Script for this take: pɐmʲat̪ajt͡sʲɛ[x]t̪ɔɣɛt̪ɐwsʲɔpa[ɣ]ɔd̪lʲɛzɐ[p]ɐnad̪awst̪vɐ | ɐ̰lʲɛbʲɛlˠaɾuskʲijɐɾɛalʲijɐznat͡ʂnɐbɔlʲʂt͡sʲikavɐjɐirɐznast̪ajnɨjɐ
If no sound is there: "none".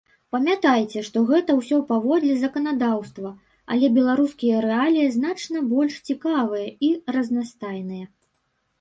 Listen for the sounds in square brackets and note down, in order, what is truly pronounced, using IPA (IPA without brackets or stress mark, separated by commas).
ʂ, v, k